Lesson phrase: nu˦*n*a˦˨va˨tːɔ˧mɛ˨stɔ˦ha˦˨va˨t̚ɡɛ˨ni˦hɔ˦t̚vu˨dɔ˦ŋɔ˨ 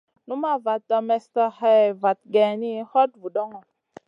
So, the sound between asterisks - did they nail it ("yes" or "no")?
no